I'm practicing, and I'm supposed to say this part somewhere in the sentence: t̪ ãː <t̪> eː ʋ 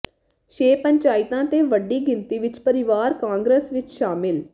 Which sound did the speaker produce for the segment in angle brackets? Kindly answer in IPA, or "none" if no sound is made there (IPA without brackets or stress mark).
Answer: t̪